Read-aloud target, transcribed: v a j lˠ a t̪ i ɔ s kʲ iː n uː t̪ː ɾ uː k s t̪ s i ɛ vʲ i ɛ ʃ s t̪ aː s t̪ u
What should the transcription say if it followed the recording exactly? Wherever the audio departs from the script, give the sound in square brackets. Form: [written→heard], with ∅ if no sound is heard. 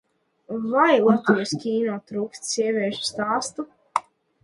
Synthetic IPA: v a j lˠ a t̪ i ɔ s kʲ iː n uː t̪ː ɾ uː k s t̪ s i ɛ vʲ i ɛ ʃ s t̪ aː s t̪ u